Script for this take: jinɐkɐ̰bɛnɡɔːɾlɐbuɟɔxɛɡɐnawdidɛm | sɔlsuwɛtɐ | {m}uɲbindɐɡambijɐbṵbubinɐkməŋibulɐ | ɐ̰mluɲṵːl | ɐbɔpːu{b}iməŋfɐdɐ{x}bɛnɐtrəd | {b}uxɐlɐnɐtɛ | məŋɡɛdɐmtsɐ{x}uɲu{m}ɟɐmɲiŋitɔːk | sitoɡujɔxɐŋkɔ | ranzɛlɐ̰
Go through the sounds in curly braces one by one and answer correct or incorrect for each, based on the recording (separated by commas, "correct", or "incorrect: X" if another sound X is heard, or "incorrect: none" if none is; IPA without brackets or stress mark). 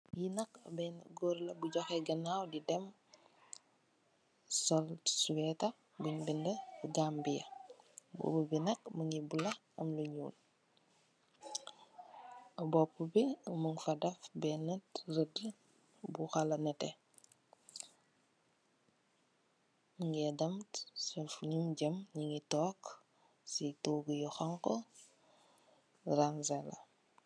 incorrect: b, correct, incorrect: f, correct, incorrect: f, correct